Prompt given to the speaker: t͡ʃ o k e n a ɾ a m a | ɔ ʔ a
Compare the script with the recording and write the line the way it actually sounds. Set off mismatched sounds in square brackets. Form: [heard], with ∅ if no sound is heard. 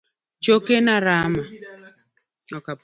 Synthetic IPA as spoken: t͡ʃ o k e n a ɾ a m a | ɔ [k] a